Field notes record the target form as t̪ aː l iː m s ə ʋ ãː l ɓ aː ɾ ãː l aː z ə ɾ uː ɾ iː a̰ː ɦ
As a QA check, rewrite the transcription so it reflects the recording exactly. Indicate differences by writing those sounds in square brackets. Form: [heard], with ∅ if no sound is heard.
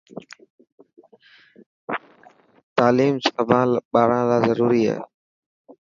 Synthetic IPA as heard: t̪ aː l iː m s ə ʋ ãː l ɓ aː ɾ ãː l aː z ə ɾ uː ɾ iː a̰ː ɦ